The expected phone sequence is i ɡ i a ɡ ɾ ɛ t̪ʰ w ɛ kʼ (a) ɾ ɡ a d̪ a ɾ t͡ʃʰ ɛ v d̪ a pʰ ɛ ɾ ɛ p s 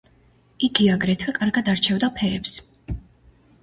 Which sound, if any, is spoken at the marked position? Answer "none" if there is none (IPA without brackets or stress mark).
a